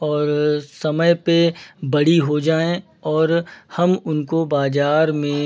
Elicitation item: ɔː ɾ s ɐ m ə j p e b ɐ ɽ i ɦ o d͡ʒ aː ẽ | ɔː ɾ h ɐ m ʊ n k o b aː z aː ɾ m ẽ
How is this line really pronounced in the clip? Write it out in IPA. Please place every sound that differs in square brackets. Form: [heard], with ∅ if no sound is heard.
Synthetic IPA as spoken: ɔː ɾ s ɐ m ə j p e b ɐ ɽ i ɦ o d͡ʒ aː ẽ | ɔː ɾ h ɐ m ʊ n k o b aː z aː ɾ m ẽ